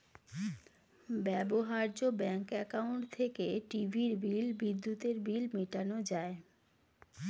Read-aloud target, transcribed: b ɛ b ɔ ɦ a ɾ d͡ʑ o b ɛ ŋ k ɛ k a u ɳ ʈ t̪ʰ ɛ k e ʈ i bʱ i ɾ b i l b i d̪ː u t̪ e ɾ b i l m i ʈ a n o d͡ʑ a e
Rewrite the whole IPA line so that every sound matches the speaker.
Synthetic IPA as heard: b ɛ b o ɦ a ɾ d͡ʑ o b ɛ ŋ k ɛ k a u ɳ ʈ t̪ʰ e k e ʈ i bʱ i ɾ b i l b i d̪ː u t̪ e ɾ b i l m i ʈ a n o d͡ʑ a e